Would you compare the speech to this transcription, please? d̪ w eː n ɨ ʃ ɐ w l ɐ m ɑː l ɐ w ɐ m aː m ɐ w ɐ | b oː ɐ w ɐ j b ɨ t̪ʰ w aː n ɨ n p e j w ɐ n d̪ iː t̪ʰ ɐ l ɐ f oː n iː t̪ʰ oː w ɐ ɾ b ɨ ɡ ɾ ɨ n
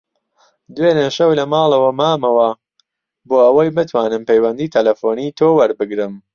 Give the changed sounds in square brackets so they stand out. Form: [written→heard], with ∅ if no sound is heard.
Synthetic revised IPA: d̪ w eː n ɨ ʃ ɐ w l ɐ m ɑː l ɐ w ɐ m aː m ɐ w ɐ | b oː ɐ w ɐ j b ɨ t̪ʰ w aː n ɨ [n→m] p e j w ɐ n d̪ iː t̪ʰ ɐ l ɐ f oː n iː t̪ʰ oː w ɐ ɾ b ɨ ɡ ɾ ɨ [n→m]